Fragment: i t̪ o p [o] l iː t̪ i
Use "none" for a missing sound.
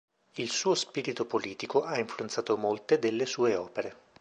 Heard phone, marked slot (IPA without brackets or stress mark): o